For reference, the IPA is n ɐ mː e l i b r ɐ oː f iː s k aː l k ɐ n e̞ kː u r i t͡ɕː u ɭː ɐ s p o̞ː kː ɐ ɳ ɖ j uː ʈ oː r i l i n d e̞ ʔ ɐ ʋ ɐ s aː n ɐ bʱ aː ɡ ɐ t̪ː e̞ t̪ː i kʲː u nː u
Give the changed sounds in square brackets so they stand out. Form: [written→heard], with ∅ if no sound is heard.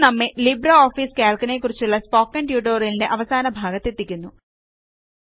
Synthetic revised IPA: n ɐ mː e l i b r ɐ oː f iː s k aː l k ɐ n e̞ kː u r i t͡ɕː u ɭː ɐ s p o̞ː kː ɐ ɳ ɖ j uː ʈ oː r i l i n d e̞ ʔ ɐ ʋ ɐ s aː n ɐ bʱ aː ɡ ɐ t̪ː e̞ t̪ː i kʲː u nː u